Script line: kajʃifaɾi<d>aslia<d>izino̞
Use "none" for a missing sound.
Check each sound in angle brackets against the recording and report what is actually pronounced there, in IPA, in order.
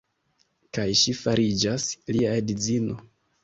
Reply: d͡ʒ, d

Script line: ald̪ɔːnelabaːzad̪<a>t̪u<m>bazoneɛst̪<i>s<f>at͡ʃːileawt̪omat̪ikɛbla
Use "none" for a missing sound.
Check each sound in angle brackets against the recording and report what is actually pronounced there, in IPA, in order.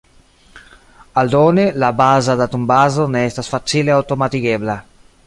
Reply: a, m, a, f

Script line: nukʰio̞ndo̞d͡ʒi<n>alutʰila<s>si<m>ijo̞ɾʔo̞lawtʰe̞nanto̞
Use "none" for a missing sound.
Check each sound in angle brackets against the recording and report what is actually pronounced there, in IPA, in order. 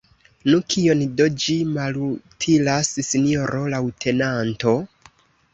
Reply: m, s, n

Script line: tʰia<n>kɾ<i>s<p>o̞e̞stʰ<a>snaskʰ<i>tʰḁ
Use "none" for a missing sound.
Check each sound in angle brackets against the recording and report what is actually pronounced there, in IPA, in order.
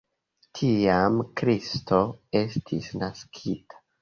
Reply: m, i, t, i, i

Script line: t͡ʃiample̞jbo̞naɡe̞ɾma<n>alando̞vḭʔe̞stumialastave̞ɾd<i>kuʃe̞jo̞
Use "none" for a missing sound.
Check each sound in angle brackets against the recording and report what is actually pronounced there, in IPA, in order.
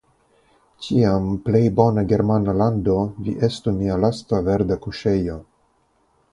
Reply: n, a

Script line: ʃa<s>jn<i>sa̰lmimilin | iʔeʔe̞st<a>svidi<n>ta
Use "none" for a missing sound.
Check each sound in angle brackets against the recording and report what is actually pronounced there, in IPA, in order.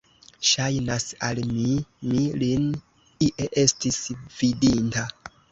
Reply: none, a, i, n

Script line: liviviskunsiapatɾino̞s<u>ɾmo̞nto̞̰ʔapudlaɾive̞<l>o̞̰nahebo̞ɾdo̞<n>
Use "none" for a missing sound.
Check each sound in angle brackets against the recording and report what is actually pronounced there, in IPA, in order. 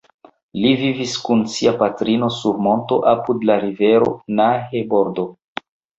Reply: u, ɾ, none

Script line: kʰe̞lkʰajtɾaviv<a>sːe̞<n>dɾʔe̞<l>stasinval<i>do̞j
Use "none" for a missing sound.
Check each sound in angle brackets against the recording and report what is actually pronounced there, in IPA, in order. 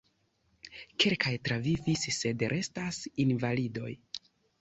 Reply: i, none, none, i

